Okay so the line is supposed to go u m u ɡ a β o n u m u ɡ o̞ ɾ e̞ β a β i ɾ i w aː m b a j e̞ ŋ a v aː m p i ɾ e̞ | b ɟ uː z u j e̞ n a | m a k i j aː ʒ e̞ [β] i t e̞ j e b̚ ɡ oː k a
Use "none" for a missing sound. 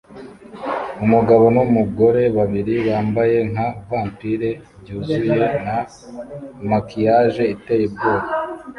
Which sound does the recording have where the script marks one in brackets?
none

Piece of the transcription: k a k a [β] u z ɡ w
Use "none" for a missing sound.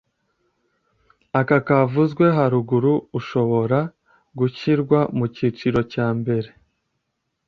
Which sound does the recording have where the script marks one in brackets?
v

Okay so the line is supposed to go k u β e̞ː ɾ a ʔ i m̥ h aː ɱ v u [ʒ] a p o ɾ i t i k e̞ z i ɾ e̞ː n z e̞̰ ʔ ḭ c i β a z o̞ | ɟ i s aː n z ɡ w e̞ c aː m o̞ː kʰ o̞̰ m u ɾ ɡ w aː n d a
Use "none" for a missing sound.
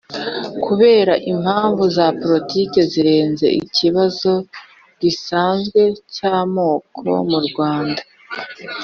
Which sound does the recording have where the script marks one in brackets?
z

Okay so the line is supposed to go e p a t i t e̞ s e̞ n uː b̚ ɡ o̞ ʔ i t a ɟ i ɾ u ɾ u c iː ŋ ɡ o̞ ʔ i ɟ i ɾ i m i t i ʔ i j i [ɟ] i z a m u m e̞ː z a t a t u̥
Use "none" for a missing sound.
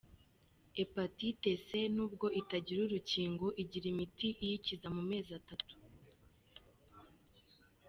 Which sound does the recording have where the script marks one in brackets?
c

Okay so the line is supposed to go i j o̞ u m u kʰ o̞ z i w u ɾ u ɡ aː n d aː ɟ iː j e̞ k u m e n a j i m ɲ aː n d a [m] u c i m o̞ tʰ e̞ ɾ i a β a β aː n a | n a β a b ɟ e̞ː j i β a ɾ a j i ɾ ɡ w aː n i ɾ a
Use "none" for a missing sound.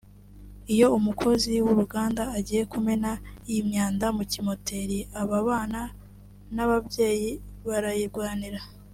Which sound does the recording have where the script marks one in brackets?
m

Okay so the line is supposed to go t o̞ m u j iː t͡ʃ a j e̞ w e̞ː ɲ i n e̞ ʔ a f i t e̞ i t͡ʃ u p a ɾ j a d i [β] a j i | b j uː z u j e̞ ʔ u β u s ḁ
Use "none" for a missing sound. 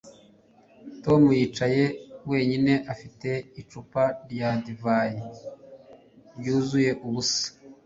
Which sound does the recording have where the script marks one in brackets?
v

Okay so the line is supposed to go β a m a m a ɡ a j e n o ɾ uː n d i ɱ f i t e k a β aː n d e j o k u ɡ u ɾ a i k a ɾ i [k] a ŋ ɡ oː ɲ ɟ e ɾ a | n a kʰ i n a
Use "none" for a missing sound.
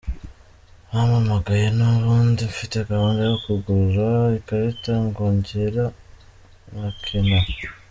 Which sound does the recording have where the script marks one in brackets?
t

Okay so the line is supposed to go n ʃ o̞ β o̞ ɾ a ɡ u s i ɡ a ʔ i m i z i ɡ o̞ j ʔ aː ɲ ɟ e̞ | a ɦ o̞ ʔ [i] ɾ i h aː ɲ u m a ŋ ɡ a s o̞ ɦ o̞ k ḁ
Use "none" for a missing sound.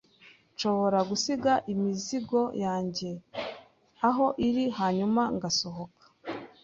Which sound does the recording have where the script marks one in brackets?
i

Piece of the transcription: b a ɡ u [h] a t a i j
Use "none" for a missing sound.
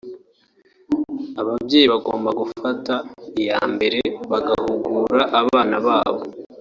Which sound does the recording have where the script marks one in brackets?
f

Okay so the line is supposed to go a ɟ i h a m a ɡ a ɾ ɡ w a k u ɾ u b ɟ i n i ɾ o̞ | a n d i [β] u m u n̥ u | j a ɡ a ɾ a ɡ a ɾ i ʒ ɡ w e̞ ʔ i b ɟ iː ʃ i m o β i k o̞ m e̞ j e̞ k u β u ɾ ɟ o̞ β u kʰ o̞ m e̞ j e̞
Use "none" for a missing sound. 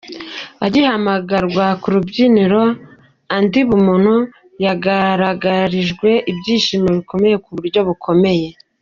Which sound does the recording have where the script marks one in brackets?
β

